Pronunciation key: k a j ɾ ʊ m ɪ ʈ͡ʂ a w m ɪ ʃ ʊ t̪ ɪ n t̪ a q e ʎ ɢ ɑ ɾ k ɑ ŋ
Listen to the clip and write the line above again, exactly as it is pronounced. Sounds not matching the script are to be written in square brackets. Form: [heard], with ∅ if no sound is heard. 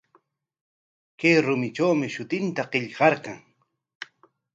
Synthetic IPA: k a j ɾ ʊ m ɪ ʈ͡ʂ a w m ɪ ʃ ʊ t̪ ɪ n t̪ a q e ʎ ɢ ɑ ɾ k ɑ ŋ

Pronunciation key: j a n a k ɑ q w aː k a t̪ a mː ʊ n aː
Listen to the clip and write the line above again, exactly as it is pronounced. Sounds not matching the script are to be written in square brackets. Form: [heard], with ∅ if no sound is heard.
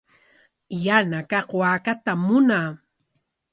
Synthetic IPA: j a n a k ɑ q w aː k a t̪ a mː ʊ n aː

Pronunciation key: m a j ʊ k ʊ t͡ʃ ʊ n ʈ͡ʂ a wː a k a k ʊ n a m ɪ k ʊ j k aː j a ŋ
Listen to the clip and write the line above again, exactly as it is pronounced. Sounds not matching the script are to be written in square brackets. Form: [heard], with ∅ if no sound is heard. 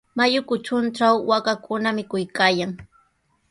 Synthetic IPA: m a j ʊ k ʊ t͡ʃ ʊ n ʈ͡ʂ a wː a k a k ʊ n a m ɪ k ʊ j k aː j a ŋ

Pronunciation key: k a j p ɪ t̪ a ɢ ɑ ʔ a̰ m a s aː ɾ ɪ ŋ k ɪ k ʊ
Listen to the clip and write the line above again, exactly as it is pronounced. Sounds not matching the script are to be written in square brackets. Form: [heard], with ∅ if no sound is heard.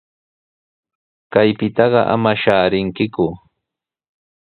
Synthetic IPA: k a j p ɪ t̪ [ɑ] ɢ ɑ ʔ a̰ m a [ʃ] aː ɾ ɪ ŋ k ɪ k ʊ

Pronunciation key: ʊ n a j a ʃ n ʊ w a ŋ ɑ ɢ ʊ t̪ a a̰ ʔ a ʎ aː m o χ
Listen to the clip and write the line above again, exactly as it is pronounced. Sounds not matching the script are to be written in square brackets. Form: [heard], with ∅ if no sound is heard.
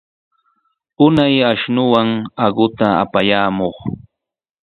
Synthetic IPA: ʊ n a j a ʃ n ʊ w a ŋ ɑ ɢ ʊ t̪ a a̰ [p] a [j] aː m o χ

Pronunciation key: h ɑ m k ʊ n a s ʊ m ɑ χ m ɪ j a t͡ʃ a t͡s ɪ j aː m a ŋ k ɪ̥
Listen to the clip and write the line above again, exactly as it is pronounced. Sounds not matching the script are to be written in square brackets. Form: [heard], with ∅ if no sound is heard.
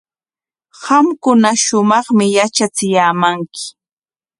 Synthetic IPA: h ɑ m k ʊ n a [ʃ] ʊ m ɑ χ m ɪ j a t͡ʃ a t͡s ɪ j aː m a ŋ k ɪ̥

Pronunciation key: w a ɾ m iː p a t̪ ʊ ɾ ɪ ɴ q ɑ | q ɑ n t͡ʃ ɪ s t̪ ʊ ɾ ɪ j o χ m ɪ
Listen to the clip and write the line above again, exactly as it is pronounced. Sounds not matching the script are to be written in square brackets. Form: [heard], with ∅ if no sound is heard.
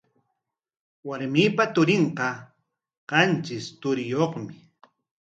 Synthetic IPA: w a ɾ m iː p a t̪ ʊ ɾ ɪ ɴ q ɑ | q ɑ n t͡ʃ ɪ s t̪ ʊ ɾ ɪ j o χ m ɪ

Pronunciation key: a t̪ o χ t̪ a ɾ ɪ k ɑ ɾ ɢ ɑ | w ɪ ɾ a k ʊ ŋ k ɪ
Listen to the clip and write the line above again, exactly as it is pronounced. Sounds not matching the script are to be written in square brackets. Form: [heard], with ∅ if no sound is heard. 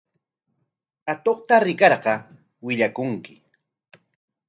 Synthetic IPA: a t̪ o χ t̪ a ɾ ɪ k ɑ ɾ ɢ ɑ | w ɪ [ʎ] a k ʊ ŋ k ɪ

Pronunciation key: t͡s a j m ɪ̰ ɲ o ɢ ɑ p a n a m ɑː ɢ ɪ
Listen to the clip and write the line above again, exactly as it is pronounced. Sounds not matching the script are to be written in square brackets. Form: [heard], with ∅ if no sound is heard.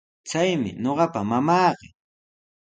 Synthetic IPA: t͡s a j m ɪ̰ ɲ o ɢ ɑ p a [m] a m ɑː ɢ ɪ

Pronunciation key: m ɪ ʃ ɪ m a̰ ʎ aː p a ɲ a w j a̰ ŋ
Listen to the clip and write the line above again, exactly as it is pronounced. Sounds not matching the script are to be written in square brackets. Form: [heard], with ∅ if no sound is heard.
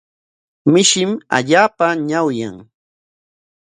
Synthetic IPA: m ɪ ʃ ɪ m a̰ ʎ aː p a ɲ a w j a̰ ŋ

